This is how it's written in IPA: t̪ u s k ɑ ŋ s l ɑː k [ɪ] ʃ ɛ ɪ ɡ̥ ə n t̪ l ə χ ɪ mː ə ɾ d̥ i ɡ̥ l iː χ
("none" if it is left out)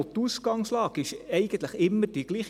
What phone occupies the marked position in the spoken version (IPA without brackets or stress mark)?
ɪ